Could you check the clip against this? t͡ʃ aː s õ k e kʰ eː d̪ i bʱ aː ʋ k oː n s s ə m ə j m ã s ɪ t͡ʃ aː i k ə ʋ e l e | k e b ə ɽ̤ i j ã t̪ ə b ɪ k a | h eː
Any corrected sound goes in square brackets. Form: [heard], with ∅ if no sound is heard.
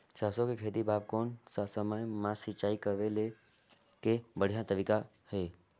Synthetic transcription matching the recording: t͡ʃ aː s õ k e kʰ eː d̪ i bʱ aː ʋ k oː n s s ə m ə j m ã s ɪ t͡ʃ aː i k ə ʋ e l e | k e b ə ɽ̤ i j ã t̪ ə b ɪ k a | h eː